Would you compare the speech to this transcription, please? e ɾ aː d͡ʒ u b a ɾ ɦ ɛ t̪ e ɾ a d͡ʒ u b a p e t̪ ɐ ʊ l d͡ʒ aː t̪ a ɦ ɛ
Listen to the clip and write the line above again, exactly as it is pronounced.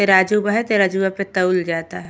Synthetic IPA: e ɾ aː d͡ʒ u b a ɦ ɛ t̪ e ɾ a d͡ʒ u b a p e t̪ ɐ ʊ l d͡ʒ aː t̪ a ɦ ɛ